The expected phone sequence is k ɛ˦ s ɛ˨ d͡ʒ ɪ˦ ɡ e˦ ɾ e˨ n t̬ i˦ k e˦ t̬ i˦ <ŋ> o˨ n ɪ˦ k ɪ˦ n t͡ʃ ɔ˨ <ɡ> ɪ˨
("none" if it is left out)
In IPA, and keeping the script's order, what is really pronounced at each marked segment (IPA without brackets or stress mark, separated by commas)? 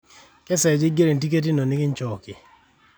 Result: n, k